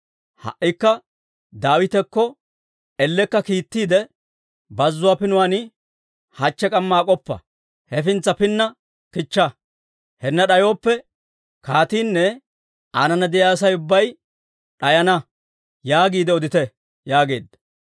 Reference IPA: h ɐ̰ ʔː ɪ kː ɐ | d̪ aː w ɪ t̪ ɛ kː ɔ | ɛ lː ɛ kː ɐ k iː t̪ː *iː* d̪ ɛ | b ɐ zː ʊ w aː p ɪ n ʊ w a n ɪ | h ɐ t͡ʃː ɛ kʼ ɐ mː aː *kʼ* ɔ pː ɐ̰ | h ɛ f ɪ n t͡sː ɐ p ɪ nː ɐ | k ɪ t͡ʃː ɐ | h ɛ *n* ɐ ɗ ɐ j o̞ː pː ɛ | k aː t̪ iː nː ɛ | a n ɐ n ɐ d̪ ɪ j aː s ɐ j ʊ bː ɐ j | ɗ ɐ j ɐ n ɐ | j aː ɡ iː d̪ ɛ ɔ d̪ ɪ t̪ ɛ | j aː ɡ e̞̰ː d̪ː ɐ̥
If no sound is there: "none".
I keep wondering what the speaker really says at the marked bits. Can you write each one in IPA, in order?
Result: iː, kʼ, nː

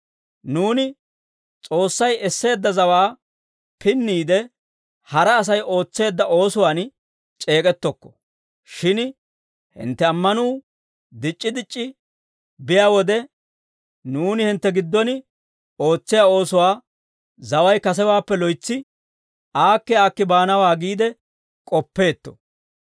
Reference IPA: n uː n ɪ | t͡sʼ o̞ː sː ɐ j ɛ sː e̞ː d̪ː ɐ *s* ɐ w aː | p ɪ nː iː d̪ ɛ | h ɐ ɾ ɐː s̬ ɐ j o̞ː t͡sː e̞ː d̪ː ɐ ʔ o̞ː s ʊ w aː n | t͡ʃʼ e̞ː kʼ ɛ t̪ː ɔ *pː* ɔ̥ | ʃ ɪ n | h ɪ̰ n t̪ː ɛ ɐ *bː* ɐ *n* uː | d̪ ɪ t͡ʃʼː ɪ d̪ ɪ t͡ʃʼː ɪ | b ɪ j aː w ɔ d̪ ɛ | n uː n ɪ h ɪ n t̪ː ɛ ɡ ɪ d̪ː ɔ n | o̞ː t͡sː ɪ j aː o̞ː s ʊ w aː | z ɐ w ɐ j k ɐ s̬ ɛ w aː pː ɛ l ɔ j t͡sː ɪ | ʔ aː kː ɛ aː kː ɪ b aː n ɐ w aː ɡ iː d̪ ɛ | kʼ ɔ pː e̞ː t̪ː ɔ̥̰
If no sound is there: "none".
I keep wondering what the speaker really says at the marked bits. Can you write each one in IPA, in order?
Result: z, kː, mː, n

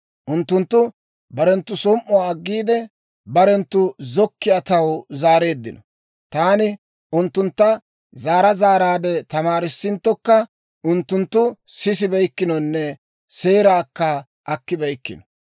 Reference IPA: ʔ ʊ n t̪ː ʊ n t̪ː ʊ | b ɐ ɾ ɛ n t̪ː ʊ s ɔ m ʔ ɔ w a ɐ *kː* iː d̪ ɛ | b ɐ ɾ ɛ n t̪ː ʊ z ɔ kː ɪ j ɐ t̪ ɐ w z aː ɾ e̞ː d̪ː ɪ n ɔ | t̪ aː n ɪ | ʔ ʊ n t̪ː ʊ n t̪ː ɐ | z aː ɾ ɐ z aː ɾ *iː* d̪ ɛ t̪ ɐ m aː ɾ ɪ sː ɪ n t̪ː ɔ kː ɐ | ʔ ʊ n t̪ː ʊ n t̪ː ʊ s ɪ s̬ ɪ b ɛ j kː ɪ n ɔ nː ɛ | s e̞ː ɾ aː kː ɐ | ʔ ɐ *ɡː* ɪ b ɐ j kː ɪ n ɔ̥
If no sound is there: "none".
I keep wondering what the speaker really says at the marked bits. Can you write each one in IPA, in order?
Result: ɡː, aː, kː

